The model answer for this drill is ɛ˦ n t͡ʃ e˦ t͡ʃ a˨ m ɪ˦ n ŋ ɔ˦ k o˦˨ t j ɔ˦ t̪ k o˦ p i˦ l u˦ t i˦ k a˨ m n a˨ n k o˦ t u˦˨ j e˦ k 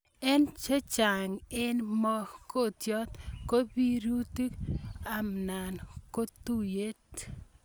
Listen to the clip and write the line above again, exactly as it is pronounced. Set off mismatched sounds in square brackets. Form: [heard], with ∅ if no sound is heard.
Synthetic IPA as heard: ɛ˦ n t͡ʃ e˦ t͡ʃ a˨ [ŋ] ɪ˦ n [m] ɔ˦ k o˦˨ t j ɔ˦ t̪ k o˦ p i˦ [ɾ] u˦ t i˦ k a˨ m n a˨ n k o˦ t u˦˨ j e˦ [t]